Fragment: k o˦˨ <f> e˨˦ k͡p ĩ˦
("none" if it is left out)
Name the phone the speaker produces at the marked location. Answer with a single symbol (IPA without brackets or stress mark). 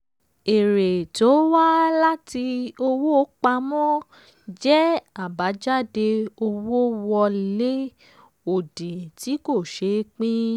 ʃ